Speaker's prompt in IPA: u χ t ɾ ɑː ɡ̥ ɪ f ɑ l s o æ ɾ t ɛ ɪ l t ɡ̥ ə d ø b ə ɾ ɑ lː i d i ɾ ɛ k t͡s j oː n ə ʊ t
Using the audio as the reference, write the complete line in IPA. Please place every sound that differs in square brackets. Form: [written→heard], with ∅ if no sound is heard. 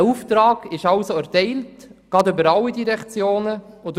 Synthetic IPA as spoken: u [χ→f] t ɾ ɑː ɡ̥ ɪ [f→ʃ] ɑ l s o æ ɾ t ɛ ɪ l t ɡ̥ [ə→ɑ] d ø b ə ɾ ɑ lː i d i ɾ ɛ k t͡s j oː n ə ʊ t